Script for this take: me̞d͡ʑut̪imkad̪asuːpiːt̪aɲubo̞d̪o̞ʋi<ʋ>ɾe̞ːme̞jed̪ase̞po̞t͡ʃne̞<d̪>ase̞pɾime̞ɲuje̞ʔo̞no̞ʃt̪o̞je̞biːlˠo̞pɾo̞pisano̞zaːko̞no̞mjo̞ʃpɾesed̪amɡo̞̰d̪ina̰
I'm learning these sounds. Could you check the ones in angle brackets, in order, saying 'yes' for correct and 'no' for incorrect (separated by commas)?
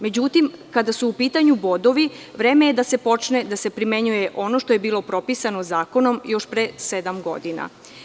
yes, yes